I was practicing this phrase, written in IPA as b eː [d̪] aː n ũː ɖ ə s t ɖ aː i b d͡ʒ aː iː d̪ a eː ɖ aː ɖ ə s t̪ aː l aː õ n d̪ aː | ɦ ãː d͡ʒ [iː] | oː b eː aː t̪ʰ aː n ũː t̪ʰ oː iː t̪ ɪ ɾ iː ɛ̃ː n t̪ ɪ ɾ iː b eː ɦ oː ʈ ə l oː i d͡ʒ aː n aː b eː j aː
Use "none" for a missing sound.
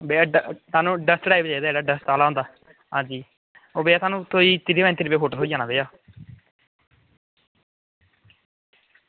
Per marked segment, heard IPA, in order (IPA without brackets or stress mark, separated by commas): t̪, iː